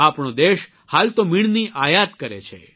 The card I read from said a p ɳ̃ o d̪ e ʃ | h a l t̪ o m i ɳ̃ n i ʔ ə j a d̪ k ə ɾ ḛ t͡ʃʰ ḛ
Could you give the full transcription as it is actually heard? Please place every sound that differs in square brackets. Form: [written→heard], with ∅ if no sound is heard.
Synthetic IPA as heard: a p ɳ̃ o d̪ e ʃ | h a l t̪ o m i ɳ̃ n i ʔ [ə→a] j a [d̪→t̪] k ə ɾ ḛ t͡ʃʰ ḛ